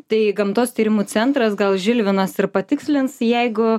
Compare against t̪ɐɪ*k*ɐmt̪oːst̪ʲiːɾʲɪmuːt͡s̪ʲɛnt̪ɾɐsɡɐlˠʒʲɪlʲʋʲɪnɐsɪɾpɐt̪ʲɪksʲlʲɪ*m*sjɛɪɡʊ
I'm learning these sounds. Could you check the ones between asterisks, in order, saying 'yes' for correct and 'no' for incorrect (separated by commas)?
no, no